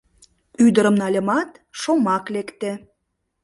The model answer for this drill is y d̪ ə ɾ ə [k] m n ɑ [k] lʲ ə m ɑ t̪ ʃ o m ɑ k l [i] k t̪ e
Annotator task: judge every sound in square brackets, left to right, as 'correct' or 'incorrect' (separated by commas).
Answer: incorrect, incorrect, incorrect